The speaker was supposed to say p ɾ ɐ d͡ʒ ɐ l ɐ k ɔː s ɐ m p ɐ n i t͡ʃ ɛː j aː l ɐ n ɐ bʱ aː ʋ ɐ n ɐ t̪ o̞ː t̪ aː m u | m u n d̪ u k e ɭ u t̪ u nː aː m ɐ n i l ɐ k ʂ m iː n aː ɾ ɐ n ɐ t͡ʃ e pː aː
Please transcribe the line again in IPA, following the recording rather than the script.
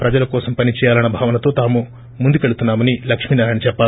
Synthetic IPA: p ɾ ɐ d͡ʒ ɐ l ɐ k ɔː s ɐ m p ɐ n i t͡ʃ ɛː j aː l ɐ n ɐ bʱ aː ʋ ɐ n ɐ t̪ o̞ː t̪ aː m u | m u n d̪ u k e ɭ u t̪ u nː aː m ɐ n i l ɐ k ʂ m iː n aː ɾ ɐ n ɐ t͡ʃ ɛ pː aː